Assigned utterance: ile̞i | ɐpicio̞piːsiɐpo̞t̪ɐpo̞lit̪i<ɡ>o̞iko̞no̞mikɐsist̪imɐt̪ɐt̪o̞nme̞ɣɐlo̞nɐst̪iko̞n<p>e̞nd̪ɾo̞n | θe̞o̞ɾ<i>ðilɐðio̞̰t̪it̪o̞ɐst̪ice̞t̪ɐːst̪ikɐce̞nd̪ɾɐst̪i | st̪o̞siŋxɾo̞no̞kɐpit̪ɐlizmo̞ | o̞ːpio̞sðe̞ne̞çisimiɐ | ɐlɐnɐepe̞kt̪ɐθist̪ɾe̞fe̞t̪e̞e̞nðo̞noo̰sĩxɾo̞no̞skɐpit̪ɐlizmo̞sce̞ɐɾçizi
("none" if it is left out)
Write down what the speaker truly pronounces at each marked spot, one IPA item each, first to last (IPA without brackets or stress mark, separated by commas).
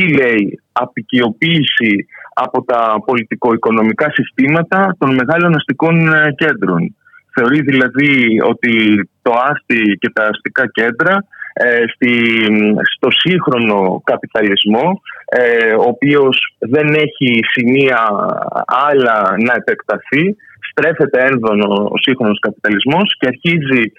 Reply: k, c, i